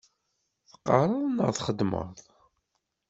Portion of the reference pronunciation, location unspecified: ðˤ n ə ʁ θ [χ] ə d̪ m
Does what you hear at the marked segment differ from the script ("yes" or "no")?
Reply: no